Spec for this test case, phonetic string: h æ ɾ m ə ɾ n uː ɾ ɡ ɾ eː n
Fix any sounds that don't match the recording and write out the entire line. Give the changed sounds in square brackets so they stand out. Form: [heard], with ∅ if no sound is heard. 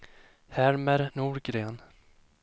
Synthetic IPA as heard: h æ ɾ m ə ɾ n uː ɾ ɡ ɾ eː n